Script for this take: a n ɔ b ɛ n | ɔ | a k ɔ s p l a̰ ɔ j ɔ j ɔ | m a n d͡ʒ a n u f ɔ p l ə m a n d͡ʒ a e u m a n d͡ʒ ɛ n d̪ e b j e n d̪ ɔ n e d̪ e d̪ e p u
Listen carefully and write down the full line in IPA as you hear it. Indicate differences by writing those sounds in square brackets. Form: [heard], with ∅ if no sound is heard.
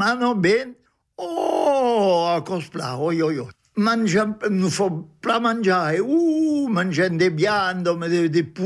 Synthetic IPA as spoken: a n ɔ b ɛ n | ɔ | a k ɔ s p l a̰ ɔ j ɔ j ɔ | m a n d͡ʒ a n u f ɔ p l [a] m a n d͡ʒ a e u m a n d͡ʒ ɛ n d̪ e b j [a] n d̪ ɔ [m] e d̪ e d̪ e p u